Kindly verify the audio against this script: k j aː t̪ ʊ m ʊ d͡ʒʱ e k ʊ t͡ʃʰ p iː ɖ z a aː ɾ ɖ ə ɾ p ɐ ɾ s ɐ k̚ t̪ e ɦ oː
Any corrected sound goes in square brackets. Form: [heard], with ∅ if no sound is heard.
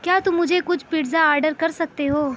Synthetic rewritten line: k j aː t̪ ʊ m ʊ d͡ʒʱ e k ʊ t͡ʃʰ p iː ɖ z a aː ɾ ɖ ə ɾ [k] ɐ ɾ s ɐ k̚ t̪ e ɦ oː